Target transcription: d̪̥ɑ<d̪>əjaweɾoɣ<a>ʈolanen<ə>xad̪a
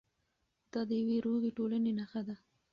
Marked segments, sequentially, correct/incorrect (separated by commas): correct, incorrect, incorrect